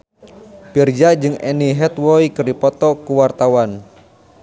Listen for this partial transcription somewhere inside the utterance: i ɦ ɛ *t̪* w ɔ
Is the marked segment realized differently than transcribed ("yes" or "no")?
no